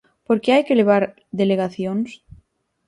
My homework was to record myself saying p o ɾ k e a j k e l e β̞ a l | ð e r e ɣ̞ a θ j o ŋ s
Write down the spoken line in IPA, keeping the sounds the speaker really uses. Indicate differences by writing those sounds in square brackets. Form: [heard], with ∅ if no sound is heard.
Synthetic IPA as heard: p o ɾ k e a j k e l e β̞ a [ɾ] | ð e [l] e ɣ̞ a θ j o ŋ s